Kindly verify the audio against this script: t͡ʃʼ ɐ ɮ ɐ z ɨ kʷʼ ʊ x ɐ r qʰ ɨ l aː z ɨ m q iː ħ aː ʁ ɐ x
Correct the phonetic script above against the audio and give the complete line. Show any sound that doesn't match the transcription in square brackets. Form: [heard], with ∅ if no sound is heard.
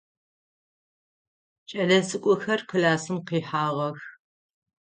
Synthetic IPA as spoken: t͡ʃʼ ɐ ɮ ɐ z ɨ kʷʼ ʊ x ɐ r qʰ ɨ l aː [s] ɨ m q iː ħ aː ʁ ɐ x